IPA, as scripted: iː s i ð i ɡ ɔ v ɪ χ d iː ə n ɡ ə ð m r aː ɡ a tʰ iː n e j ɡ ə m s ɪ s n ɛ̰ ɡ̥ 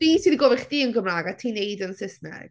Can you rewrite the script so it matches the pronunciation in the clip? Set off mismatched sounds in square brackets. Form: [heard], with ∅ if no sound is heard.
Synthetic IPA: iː s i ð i ɡ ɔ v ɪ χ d iː ə n ɡ ə [∅] m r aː ɡ a tʰ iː n e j [d] ə [n] s ɪ s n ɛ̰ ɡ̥